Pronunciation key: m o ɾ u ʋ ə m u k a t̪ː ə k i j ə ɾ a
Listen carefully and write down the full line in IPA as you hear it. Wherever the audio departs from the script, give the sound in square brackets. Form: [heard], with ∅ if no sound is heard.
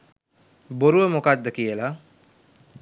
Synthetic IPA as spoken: [b] o ɾ u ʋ ə m [o] k a [d̪ː] ə k i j ə [l] a